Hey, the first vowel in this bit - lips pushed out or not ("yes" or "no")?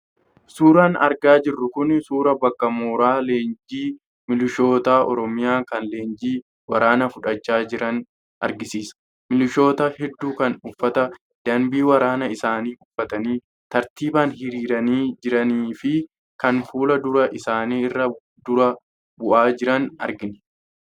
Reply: yes